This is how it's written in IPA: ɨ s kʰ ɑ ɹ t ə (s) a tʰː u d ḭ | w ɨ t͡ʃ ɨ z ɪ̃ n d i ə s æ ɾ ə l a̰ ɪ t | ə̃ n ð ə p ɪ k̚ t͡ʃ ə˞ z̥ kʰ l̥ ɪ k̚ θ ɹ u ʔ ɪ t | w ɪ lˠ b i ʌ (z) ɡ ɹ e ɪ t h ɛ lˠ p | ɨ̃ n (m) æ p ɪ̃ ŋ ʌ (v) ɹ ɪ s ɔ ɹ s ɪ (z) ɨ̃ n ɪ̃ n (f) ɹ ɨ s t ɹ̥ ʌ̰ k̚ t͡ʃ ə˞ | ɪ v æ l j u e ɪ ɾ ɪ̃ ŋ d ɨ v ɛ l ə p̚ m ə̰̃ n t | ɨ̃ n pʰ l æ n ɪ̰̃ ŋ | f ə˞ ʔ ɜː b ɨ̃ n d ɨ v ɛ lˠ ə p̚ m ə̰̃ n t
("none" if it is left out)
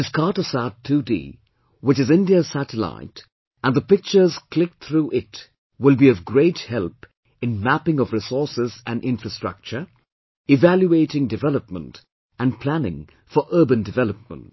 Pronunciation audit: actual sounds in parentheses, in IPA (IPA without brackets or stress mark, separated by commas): s, v, m, v, z, f